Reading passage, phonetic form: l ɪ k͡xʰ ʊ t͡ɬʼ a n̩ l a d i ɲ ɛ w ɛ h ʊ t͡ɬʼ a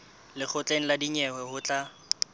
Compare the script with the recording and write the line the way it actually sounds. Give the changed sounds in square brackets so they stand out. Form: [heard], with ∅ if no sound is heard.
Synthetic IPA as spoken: l ɪ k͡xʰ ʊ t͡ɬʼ [e] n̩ l a d i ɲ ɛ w ɛ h ʊ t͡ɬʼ a

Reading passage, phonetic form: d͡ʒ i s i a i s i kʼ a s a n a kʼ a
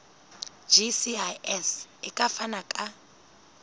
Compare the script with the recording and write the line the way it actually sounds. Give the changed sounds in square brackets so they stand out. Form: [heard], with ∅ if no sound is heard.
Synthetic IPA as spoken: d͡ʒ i s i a [ɛ] s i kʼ a [f] a n a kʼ a

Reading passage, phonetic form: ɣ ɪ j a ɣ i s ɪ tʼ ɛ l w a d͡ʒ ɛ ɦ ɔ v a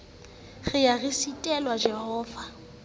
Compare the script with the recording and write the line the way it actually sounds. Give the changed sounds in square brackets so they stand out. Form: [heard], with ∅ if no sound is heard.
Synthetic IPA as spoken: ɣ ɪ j a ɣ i s [i] tʼ ɛ l w a d͡ʒ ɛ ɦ [ɔː] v a

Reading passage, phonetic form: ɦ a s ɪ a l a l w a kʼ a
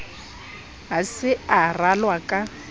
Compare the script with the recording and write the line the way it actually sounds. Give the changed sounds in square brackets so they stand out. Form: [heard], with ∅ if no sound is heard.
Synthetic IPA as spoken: ɦ a s ɪ a [r] a l w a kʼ a

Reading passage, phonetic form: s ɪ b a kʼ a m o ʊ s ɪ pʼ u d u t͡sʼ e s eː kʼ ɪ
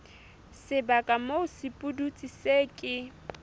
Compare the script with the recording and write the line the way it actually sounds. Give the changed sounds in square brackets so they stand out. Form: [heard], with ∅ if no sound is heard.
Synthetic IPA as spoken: s ɪ b a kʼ a m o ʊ s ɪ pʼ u d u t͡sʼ [i] s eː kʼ ɪ

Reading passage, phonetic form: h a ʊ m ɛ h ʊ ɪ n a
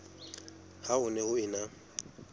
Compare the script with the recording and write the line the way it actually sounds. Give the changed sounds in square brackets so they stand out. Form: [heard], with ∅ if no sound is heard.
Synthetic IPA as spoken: h a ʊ [n] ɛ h ʊ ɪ n a

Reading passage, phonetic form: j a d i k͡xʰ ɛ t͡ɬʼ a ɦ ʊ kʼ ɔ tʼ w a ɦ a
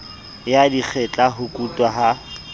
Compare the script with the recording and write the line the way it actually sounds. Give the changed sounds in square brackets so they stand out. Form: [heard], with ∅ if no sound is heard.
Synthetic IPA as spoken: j a d i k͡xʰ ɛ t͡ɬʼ a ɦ ʊ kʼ [u] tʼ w a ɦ a

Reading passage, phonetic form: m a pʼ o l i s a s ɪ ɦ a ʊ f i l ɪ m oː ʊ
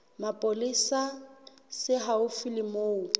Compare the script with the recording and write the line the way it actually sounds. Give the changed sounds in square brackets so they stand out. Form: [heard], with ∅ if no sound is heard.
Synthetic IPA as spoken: m a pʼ o l i s a s ɪ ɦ a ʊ f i l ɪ m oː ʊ

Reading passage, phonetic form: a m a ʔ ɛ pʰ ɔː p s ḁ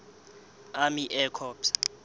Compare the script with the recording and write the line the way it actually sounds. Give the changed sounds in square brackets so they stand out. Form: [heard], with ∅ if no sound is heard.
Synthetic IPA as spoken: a m [i] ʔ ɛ [kʰ] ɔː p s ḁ

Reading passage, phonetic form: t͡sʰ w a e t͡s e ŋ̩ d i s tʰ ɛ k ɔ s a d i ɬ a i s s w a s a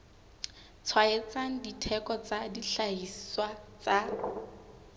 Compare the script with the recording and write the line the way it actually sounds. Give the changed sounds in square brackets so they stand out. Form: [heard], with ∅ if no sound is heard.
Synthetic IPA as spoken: t͡sʰ w a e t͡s [a] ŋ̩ d i [∅] tʰ ɛ k ɔ [t͡s] a d i ɬ a i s s w a [t͡s] a

